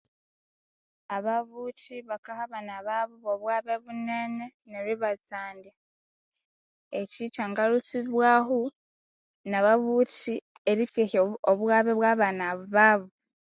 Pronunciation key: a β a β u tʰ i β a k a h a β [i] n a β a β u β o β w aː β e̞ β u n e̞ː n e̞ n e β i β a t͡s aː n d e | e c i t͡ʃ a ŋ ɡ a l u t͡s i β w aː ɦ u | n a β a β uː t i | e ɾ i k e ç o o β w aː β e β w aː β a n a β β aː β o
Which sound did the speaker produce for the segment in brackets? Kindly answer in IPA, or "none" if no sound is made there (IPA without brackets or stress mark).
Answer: a